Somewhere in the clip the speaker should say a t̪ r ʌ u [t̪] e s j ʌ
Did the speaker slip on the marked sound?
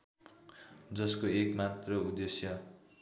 yes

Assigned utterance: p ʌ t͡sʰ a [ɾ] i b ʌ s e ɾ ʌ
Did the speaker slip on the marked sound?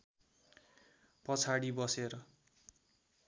yes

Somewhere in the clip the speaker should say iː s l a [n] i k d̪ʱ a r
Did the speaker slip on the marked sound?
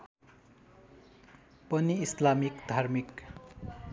yes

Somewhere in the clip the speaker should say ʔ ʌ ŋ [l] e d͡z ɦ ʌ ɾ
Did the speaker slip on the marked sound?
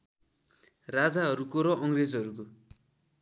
yes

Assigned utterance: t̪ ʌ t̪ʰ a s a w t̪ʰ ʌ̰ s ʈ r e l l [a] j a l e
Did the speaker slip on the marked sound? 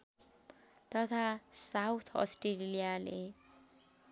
yes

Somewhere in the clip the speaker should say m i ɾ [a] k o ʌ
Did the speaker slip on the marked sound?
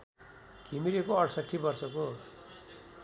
yes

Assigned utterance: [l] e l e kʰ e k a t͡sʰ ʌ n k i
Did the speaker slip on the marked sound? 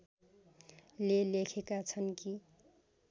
no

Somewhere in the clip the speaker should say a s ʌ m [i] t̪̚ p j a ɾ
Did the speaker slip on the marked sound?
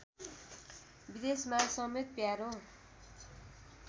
yes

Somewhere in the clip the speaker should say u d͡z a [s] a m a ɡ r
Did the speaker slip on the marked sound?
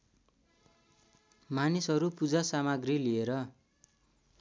no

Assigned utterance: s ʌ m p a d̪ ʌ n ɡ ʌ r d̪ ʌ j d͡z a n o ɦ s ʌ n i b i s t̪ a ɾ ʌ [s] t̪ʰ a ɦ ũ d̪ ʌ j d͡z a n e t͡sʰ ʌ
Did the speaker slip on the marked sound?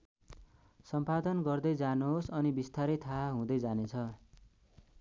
yes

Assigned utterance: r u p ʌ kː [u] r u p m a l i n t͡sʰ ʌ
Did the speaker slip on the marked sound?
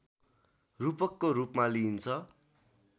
yes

